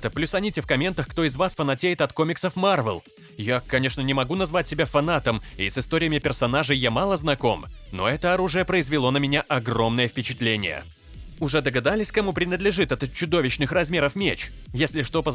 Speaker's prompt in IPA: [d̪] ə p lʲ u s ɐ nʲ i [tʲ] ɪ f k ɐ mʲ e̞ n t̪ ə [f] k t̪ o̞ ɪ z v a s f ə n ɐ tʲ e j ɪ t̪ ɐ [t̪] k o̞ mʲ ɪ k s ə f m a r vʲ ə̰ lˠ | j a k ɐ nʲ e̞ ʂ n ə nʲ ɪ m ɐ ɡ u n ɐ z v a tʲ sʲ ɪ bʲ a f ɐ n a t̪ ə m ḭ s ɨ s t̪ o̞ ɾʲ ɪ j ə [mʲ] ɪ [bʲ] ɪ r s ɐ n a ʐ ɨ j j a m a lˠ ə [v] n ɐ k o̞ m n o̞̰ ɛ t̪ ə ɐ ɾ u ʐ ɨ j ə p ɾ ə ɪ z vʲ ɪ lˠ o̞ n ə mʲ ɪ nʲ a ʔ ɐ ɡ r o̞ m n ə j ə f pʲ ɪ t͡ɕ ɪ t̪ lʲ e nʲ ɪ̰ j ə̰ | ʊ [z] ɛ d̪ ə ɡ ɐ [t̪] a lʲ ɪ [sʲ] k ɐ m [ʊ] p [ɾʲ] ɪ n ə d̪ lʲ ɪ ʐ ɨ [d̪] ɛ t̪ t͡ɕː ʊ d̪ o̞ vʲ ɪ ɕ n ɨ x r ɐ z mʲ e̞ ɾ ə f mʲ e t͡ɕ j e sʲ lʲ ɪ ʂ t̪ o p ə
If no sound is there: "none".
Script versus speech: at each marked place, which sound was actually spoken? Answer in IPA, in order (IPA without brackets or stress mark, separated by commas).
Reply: t̪, tʲ, x, t̪, mʲ, pʲ, z, ʐ, d̪, sʲ, u, ɾʲ, t̪